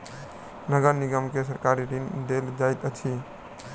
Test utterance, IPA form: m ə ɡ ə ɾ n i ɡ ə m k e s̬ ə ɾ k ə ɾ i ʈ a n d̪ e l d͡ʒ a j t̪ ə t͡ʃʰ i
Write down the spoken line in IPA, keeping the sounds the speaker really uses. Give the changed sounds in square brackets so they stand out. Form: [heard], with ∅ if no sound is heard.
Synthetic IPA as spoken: [n] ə ɡ ə ɾ n i ɡ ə m k e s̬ ə ɾ k [a] ɾ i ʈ [i] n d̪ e l d͡ʒ a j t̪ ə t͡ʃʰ i